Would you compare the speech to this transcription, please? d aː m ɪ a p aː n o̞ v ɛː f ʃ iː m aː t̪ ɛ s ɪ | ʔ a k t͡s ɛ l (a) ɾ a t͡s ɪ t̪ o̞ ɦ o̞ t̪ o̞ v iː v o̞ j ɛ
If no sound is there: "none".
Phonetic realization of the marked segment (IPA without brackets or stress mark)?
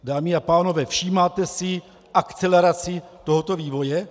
ɛ